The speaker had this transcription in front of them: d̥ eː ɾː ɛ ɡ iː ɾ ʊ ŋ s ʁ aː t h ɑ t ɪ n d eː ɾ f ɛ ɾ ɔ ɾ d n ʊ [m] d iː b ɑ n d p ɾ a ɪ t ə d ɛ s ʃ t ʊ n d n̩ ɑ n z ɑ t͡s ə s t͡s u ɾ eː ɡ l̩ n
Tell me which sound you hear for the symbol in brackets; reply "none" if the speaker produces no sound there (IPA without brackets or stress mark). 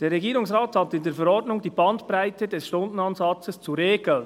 ŋ